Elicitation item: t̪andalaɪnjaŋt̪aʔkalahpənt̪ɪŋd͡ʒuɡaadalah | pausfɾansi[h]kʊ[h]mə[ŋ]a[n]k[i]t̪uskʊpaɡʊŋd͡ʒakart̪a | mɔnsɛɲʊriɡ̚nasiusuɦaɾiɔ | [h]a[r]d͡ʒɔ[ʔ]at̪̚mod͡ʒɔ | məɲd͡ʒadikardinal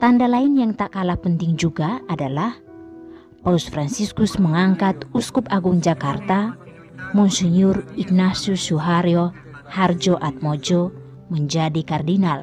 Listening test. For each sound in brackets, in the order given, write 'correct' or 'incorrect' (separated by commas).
incorrect, incorrect, correct, incorrect, incorrect, correct, correct, correct